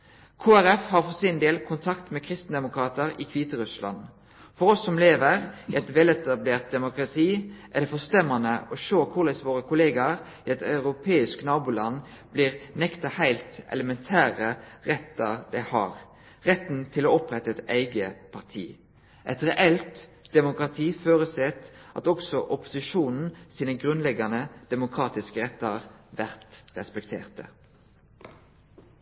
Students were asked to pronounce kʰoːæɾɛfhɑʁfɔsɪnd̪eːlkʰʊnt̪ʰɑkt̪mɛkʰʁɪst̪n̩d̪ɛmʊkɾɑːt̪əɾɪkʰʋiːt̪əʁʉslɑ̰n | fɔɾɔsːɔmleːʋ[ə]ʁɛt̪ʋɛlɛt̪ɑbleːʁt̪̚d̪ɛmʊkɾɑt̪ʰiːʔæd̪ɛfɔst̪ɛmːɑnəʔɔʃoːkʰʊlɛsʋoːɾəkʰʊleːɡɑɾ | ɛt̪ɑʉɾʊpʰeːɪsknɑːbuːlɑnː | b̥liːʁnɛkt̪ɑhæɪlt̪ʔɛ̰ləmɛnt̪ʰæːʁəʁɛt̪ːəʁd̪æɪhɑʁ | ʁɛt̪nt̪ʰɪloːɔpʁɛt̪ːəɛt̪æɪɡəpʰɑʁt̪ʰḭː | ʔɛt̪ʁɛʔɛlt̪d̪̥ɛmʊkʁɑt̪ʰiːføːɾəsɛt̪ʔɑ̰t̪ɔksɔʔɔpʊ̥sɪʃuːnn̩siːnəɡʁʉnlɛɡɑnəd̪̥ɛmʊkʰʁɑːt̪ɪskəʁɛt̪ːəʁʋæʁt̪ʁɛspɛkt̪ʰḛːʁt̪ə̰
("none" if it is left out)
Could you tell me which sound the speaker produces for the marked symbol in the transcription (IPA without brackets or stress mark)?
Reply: ə